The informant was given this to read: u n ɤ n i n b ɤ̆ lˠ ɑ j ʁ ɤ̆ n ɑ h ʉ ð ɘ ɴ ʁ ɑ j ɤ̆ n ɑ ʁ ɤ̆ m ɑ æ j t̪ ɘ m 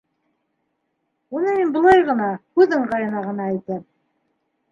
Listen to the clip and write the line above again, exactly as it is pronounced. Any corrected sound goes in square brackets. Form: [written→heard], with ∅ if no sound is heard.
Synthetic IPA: u n ɤ [n→m] i n b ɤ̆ lˠ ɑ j ʁ ɤ̆ n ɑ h ʉ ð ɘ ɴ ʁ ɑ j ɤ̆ n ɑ ʁ ɤ̆ [m→n] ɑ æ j t̪ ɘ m